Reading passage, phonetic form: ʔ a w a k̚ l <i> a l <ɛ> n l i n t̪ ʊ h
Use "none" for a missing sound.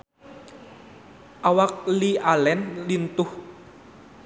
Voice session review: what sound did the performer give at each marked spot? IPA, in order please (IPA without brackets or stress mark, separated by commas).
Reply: i, ɛ